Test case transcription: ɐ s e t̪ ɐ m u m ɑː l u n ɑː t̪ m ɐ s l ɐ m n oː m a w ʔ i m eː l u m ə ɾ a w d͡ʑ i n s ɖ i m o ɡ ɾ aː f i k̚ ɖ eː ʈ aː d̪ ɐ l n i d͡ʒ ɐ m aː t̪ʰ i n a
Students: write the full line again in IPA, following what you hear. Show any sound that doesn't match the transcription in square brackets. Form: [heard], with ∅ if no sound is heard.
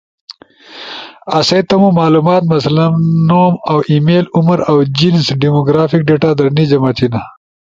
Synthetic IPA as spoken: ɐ s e t̪ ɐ m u m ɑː l u [m] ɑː t̪ m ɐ s l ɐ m n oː m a w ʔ i m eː l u m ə ɾ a w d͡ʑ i n s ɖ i m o ɡ ɾ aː f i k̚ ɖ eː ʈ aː d̪ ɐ [ɾ] n i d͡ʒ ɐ m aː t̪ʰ i n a